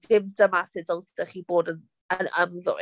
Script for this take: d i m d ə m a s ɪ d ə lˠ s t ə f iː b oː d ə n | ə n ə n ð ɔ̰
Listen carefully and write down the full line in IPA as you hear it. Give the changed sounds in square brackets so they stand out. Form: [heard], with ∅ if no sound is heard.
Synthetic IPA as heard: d [ɪ] m d ə m a s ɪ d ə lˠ s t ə [χ] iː b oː d ə n | ə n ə [m] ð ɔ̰